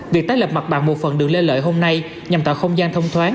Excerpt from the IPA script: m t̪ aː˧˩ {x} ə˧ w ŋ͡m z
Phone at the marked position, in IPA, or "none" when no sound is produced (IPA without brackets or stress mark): x